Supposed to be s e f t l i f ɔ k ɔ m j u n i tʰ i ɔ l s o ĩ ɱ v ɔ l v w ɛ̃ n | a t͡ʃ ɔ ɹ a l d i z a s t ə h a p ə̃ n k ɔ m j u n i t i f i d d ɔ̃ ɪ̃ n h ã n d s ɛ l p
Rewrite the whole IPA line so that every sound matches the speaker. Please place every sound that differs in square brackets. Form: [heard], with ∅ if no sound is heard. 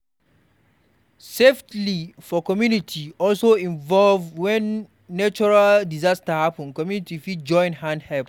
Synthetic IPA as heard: s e f t l i f ɔ k ɔ m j u n i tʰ i ɔ l s o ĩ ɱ v ɔ l v w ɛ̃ [nː] | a t͡ʃ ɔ ɹ a l d i z a s t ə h a p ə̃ n k ɔ m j u n i t i f i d [d͡ʒ] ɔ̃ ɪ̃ n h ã n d [h] ɛ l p